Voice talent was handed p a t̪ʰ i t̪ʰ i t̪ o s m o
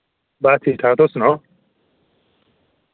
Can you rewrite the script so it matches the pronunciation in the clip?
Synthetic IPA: b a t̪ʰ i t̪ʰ a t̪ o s n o